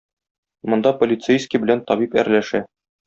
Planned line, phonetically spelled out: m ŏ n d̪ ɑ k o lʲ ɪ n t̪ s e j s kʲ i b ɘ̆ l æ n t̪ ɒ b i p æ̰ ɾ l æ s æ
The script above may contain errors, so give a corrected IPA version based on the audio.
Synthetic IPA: m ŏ n d̪ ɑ p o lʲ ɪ t̪ s e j s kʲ i b ɘ̆ l æ n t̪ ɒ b i p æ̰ ɾ l æ ʃ æ